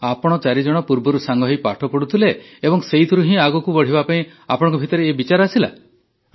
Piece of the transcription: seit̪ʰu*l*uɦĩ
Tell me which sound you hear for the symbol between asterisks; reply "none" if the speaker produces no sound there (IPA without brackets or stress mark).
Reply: ɾ